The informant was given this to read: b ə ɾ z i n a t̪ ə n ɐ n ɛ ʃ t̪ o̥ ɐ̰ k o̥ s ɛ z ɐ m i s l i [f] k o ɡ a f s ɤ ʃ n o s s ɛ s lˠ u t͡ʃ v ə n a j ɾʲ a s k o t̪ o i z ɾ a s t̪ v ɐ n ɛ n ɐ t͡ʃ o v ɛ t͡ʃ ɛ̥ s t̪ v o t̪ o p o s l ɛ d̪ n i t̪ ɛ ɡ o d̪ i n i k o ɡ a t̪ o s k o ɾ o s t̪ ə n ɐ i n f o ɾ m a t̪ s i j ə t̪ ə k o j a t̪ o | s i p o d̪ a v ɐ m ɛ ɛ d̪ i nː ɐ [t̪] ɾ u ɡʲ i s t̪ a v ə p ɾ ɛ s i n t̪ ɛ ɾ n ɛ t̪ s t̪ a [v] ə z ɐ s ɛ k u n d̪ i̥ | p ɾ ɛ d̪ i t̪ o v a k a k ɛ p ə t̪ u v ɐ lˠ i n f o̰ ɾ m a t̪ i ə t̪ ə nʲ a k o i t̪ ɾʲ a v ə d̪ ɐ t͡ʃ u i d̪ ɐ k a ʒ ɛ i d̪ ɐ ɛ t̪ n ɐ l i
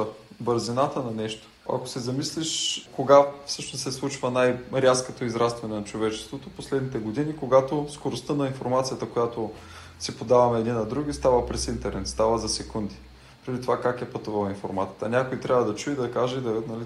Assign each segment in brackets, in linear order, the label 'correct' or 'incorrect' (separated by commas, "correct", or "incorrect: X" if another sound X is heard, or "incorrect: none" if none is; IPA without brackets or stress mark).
incorrect: ʃ, incorrect: d̪, correct